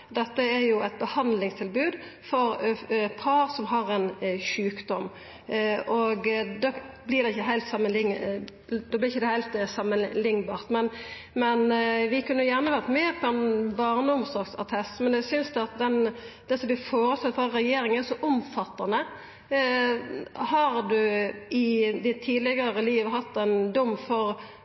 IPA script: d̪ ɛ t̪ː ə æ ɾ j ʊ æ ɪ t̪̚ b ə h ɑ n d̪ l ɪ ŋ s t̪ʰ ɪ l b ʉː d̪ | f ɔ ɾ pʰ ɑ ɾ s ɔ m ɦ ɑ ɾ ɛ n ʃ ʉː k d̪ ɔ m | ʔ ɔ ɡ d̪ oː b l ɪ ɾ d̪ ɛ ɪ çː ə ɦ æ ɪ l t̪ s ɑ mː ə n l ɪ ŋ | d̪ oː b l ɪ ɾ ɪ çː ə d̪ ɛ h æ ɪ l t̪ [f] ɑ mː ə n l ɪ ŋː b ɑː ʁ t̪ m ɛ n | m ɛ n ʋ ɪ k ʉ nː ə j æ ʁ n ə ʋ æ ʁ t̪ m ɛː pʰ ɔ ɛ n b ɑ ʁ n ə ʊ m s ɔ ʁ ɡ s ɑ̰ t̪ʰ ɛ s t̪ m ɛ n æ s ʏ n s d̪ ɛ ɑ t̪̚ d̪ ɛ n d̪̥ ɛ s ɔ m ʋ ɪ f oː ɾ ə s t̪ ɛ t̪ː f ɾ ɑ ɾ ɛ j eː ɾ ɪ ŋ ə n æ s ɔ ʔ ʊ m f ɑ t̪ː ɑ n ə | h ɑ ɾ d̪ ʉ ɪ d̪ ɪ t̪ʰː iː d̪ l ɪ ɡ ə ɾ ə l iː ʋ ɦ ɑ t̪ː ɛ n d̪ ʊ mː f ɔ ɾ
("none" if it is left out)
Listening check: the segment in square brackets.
s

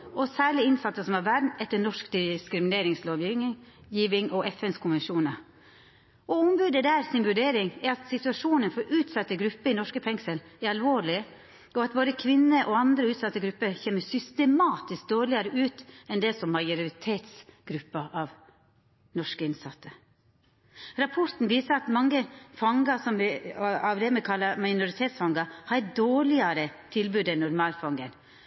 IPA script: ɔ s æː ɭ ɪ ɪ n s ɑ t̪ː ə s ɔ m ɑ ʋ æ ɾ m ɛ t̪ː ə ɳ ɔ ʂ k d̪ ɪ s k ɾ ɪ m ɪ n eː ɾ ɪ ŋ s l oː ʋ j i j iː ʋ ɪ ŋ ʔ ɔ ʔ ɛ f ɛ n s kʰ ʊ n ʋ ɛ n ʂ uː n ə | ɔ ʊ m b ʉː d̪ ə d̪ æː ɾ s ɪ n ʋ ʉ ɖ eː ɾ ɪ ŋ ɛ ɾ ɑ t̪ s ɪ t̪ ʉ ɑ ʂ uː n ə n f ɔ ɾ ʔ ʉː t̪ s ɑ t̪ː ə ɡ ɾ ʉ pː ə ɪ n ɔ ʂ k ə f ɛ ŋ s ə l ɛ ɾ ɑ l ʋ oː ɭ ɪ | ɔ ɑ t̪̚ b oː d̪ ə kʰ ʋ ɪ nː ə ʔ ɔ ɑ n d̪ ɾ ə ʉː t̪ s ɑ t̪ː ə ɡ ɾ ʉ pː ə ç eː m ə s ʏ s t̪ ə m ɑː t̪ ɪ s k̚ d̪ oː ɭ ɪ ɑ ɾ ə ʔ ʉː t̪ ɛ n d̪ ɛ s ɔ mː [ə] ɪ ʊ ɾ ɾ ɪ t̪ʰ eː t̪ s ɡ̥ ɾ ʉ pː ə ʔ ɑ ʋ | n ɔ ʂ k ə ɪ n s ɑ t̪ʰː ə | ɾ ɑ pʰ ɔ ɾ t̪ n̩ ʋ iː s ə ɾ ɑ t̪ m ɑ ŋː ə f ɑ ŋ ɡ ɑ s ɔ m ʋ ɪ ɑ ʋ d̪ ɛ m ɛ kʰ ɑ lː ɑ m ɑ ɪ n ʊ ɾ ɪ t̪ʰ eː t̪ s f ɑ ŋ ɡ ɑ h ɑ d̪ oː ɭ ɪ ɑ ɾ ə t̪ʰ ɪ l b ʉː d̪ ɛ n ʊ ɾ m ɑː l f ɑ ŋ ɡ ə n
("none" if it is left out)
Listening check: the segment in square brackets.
ɑ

